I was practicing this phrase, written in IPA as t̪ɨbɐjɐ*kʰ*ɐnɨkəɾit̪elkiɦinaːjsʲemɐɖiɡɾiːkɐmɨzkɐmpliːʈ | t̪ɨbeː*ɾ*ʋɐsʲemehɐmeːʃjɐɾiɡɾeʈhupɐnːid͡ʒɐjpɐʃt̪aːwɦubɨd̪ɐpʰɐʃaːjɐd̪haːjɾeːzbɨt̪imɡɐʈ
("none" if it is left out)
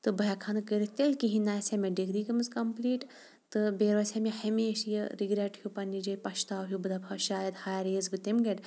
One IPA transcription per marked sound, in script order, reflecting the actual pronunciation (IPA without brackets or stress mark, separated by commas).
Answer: kʰ, ɾ